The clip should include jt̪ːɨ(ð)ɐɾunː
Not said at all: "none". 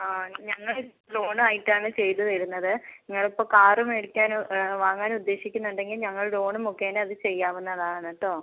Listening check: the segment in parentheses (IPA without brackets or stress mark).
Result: ð